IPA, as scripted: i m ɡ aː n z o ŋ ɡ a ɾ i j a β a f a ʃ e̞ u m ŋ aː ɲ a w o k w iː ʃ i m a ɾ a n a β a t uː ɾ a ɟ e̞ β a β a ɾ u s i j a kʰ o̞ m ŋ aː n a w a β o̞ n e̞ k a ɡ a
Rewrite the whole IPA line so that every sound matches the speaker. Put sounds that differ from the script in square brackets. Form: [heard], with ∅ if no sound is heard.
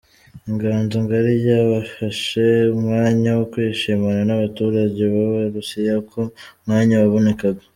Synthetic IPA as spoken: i [ŋ] ɡ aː n z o ŋ ɡ a ɾ i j a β a f a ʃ e̞ u m ŋ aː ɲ a w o k w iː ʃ i m a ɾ a n a β a t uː ɾ a ɟ e̞ β a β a ɾ u s i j a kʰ o̞ m ŋ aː [ɲ] a w a β o̞ n e̞ k a ɡ a